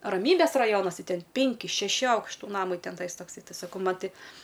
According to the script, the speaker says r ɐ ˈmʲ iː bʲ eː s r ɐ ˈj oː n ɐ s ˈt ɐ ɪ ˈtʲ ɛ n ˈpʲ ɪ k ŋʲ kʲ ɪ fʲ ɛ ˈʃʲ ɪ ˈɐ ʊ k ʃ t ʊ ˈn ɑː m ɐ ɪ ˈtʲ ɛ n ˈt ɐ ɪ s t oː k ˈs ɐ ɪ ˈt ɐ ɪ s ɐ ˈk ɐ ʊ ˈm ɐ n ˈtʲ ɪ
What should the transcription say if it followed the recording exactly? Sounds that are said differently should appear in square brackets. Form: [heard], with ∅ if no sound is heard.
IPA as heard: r ɐ ˈmʲ iː bʲ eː s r ɐ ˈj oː n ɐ s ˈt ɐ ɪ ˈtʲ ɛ n ˈpʲ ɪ [∅] ŋʲ kʲ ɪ [ʃʲ] ɛ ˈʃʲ ɪ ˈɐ ʊ k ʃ t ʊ ˈn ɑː m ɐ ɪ ˈtʲ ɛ n ˈt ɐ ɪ s t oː k ˈs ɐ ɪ ˈt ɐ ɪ s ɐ ˈk ɐ ʊ ˈm ɐ n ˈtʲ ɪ